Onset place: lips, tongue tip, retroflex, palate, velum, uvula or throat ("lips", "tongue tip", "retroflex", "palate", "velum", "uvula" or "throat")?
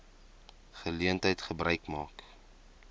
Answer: uvula